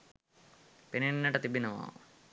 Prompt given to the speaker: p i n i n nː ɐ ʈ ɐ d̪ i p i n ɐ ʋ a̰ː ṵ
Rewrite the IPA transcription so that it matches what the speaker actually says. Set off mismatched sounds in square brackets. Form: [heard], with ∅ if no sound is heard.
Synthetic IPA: p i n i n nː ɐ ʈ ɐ [t̪] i [b] i n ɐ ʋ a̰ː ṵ